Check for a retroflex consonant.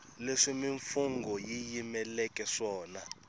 present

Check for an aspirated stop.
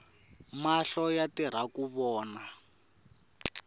absent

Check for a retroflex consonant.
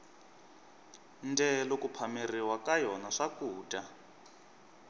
present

